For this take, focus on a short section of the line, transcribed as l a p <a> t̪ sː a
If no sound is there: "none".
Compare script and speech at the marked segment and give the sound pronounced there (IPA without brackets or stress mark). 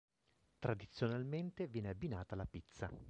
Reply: i